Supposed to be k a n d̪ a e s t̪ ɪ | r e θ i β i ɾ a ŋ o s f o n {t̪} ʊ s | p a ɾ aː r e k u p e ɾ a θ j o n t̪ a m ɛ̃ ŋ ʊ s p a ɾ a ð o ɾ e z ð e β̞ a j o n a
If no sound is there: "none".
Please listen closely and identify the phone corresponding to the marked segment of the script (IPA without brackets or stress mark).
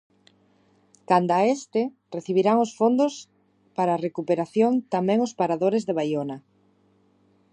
d̪